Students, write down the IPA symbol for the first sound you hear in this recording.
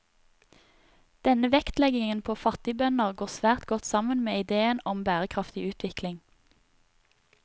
d̪̥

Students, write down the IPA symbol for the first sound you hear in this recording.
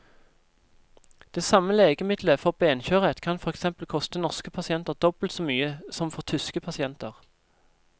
d̪̥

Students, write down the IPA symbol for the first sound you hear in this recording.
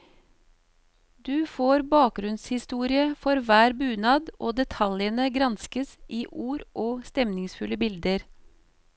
d̪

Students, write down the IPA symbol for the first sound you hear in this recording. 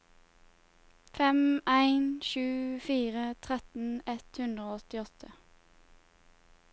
f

